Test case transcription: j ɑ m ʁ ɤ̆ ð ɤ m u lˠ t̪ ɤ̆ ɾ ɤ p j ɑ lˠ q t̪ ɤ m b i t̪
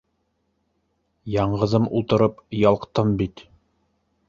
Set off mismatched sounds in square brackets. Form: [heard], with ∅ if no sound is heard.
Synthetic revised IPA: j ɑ [ɴ] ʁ ɤ̆ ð ɤ m u lˠ t̪ ɤ̆ ɾ ɤ p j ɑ lˠ q t̪ ɤ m b i t̪